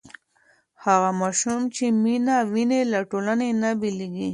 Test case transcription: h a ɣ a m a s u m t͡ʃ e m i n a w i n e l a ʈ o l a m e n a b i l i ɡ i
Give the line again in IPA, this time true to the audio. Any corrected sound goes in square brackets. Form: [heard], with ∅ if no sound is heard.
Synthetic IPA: h a ɣ a m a [ʃ] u m t͡ʃ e m i n a w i n e l a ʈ o l a [n] e n a b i l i ɡ i